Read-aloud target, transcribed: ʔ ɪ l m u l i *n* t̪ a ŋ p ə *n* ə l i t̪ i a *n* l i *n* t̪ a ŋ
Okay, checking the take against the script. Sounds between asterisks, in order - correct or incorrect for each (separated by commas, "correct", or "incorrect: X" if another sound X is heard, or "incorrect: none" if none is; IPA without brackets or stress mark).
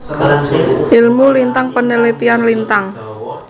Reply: correct, correct, correct, correct